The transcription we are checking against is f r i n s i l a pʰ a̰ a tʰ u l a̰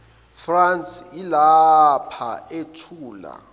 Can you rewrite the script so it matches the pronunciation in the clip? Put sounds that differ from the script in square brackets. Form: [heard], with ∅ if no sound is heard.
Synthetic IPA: f r [a] n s i l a pʰ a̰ [e] tʰ [uː] l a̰